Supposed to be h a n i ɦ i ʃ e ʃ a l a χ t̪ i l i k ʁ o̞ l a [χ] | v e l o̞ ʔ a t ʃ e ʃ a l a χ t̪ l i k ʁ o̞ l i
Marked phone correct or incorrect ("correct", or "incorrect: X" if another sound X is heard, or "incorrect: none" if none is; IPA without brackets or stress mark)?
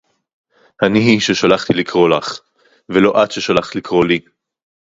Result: correct